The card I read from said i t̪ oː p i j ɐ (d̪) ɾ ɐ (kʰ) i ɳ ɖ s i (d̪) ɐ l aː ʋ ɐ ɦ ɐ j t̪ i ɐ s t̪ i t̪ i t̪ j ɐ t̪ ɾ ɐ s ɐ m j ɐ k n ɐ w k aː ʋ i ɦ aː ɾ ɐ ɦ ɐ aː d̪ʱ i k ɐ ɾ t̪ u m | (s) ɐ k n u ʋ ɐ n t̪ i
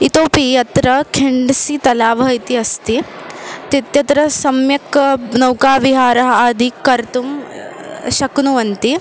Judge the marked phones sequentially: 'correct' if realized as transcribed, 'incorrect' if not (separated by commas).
incorrect, correct, incorrect, incorrect